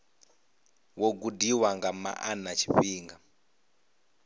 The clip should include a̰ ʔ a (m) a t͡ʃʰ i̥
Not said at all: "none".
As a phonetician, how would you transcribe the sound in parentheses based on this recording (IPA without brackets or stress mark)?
n